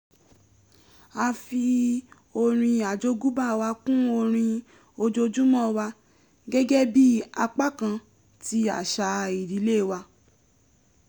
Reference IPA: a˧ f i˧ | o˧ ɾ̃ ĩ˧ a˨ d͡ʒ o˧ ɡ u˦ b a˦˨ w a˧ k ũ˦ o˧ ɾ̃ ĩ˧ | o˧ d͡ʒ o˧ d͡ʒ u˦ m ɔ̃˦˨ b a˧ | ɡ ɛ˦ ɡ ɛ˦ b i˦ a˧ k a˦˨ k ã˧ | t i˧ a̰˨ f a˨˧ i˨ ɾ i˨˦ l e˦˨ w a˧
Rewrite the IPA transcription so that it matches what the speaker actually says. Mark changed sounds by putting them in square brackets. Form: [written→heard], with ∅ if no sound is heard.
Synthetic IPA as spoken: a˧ f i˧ | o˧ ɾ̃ ĩ˧ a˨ d͡ʒ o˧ ɡ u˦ b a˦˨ w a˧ k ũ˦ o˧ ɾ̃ ĩ˧ | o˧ d͡ʒ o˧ d͡ʒ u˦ m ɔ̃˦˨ [b→w] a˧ | ɡ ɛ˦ ɡ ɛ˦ b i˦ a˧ [k→k͡p] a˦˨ k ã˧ | t i˧ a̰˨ [f→ʃ] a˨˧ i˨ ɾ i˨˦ l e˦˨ w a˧